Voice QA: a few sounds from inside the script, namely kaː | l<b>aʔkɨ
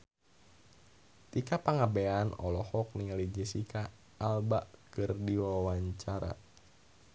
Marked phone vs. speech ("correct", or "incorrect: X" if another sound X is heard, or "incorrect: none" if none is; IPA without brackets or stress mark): correct